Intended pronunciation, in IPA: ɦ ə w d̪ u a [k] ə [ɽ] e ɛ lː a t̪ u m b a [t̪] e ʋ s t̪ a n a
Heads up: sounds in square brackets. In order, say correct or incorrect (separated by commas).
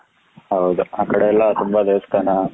correct, correct, incorrect